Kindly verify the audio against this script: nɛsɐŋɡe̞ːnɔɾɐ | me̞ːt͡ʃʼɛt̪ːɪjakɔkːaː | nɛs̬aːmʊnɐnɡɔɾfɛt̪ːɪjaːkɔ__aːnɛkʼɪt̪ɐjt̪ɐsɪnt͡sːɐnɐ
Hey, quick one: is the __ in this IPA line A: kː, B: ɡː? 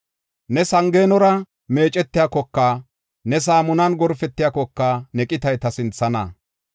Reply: A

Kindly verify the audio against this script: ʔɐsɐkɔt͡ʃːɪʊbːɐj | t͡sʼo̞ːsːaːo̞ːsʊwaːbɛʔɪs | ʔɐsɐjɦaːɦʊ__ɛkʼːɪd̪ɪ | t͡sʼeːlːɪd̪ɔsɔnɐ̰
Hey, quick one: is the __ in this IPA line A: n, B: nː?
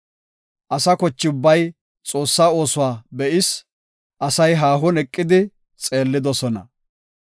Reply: A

